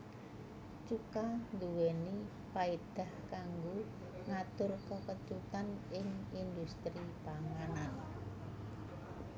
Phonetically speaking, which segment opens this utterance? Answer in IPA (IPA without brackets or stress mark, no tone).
t͡ʃ